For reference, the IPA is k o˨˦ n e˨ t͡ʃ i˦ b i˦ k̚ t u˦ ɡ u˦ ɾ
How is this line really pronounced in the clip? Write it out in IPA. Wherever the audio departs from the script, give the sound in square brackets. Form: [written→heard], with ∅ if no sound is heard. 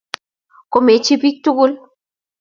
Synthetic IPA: k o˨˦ [n→m] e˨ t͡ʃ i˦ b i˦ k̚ t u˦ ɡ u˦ [ɾ→l]